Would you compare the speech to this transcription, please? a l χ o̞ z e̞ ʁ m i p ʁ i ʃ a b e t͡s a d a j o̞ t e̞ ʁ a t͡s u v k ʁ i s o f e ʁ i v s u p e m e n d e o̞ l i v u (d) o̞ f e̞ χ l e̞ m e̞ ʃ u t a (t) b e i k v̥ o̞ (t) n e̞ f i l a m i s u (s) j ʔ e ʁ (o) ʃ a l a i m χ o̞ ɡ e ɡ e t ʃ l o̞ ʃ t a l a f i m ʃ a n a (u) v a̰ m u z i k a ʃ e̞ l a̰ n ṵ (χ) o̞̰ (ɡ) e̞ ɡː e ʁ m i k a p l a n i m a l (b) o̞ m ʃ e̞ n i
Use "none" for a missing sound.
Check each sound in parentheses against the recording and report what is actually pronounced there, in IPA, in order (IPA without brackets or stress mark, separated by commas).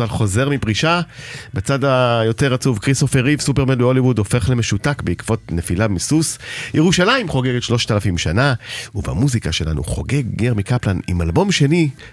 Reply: d, k, t, s, u, u, χ, ɡ, b